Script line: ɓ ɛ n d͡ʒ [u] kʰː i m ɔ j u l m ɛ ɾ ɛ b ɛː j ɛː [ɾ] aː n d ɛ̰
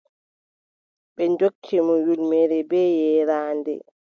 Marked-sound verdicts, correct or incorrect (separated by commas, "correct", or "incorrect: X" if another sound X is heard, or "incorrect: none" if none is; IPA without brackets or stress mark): incorrect: o, correct